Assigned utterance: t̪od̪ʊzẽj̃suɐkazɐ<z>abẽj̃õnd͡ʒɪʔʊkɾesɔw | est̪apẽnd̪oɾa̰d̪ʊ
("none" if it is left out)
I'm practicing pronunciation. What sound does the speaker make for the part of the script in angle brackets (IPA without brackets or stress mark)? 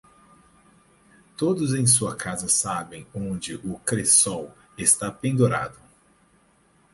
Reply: s